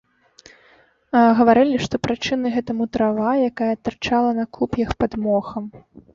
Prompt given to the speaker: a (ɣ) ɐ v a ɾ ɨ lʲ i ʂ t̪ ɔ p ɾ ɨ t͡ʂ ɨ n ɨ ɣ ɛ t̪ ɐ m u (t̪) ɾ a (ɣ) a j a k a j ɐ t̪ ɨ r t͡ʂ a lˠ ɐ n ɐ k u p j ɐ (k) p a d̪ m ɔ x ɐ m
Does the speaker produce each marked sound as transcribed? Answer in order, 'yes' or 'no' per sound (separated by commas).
yes, yes, no, no